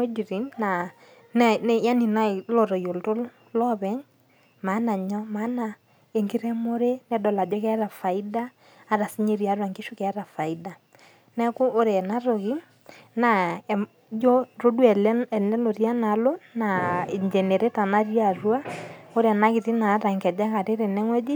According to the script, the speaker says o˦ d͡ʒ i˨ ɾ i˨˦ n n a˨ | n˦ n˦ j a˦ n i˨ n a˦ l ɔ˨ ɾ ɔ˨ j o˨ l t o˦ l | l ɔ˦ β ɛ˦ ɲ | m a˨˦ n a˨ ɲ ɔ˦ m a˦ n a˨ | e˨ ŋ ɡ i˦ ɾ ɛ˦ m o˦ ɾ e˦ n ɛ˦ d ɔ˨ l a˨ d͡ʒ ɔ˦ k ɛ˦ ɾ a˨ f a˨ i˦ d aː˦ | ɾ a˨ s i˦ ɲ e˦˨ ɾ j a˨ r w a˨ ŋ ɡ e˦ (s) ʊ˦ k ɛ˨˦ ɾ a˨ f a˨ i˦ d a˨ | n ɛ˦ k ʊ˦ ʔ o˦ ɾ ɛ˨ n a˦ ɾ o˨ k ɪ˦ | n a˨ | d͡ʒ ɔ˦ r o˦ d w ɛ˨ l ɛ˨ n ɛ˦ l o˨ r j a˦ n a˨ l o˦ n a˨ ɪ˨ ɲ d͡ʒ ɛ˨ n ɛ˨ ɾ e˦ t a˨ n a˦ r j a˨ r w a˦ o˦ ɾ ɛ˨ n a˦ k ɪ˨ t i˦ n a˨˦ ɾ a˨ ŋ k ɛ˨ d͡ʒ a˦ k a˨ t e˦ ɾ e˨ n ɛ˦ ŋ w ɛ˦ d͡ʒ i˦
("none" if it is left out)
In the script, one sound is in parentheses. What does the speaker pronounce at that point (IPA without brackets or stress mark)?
ʃ